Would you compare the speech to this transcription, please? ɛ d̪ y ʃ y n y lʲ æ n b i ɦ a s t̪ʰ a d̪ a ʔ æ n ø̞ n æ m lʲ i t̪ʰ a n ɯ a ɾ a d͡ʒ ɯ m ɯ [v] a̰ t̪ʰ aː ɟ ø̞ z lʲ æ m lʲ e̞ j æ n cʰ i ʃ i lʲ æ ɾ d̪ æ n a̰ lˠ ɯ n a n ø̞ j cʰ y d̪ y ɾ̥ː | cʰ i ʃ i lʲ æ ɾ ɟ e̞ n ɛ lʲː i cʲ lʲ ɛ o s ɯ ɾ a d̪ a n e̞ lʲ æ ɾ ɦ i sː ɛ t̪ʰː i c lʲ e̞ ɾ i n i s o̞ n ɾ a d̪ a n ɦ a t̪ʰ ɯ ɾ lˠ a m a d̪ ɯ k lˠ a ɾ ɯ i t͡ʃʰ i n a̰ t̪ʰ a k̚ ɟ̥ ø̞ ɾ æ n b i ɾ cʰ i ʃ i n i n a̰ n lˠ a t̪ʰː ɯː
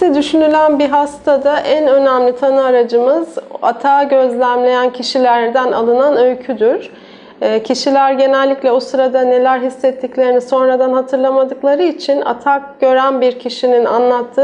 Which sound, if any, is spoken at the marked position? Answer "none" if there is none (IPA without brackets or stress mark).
z